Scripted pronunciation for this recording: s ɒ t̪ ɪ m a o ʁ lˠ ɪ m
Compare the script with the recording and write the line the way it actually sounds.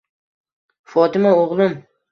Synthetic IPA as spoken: f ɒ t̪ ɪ m a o ʁ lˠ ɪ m